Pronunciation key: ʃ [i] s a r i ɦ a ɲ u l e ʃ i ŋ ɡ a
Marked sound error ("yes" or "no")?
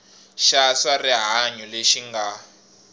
yes